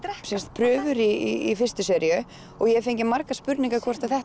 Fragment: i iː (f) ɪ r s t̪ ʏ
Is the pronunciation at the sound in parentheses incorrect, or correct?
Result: correct